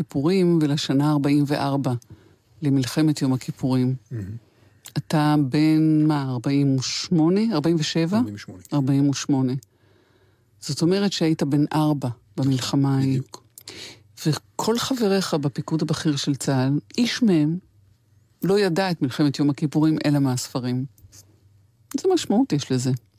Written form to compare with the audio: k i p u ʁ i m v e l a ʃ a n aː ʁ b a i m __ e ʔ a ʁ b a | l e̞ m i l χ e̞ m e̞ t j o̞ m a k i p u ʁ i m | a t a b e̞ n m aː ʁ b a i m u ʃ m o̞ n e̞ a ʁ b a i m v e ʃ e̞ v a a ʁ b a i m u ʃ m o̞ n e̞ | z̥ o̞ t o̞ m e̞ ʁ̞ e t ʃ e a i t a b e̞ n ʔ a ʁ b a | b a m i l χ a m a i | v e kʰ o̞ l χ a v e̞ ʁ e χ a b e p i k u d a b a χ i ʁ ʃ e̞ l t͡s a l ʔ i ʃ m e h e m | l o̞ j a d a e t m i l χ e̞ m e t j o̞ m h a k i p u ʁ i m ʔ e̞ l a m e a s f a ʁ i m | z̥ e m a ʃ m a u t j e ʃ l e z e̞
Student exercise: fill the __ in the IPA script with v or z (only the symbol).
v